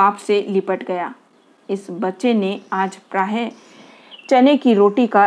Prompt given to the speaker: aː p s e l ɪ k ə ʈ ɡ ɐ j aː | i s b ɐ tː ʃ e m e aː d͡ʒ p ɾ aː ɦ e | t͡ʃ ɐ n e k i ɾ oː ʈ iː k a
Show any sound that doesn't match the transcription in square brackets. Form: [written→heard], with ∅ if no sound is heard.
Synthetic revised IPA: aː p s e l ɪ [k→p] ə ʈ ɡ ɐ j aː | [i→ɪ] s b ɐ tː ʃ e [m→n] e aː d͡ʒ p ɾ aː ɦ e | t͡ʃ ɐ n e k i ɾ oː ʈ [iː→i] k a